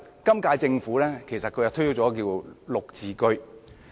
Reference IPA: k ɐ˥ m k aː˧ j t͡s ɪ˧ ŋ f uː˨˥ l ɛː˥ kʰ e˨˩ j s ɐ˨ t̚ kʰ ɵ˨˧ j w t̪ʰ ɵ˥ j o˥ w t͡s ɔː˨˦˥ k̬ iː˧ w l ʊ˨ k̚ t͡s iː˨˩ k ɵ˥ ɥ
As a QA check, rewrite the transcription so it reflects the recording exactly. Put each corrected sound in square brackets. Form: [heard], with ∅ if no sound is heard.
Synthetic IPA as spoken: k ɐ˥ m k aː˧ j t͡s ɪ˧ ŋ f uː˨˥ l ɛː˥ kʰ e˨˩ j s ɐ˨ t̚ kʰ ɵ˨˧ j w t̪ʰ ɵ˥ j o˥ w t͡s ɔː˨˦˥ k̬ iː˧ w l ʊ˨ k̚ t͡s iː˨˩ k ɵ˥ ɥ